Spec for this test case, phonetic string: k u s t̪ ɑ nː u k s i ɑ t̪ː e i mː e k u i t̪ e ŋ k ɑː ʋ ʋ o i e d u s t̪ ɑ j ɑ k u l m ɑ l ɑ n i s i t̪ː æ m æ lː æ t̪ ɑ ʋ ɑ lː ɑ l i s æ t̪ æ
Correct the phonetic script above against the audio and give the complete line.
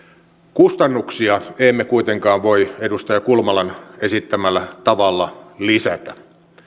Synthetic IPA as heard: k u s t̪ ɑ nː u k s i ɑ e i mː e k u i t̪ e ŋ k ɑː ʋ ʋ o i e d u s t̪ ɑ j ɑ k u l m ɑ l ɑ n e s i t̪ː æ m æ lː æ t̪ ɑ ʋ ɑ lː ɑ l i s æ t̪ æ